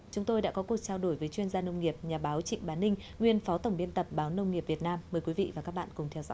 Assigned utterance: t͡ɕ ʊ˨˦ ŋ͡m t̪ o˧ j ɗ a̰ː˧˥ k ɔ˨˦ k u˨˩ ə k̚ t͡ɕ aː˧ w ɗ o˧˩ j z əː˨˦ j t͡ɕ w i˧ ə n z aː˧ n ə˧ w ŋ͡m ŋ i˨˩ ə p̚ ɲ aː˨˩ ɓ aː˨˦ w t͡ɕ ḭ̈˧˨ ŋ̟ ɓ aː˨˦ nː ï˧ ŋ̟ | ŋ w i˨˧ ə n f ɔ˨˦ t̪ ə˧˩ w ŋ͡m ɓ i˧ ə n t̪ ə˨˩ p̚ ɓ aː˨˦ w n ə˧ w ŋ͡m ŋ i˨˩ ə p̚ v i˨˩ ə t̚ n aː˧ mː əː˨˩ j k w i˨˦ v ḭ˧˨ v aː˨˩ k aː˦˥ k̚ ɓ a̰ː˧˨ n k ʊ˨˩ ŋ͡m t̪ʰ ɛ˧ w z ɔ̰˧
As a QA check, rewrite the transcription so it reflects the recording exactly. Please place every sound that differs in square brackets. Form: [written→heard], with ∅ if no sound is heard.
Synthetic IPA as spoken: t͡ɕ ʊ˨˦ ŋ͡m t̪ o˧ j ɗ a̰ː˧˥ k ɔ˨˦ k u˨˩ ə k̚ t͡ɕ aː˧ w ɗ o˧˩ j [z→v] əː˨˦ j t͡ɕ w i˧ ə n z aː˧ n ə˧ w ŋ͡m ŋ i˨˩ ə p̚ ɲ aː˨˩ ɓ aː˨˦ w t͡ɕ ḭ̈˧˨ ŋ̟ ɓ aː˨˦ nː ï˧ ŋ̟ | ŋ w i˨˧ ə n f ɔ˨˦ t̪ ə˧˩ w ŋ͡m ɓ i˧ ə n t̪ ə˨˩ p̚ ɓ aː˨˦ w n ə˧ w ŋ͡m ŋ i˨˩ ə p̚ v i˨˩ ə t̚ n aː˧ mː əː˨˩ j k w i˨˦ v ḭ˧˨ v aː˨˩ k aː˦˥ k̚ ɓ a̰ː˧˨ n k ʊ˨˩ ŋ͡m t̪ʰ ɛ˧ w z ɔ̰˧